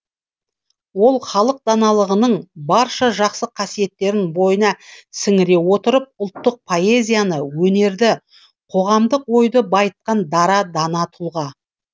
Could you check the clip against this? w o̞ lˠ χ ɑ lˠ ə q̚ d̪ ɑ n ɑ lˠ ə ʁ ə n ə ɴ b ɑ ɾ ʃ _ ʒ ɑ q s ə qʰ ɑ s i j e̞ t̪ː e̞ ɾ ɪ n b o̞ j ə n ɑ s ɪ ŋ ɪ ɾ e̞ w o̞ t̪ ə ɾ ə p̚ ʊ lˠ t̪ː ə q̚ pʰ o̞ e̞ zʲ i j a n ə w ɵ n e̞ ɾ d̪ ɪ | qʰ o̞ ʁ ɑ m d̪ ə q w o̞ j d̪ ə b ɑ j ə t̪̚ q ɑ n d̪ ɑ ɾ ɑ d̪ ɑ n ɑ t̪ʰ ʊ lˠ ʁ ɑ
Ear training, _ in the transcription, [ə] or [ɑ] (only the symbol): ɑ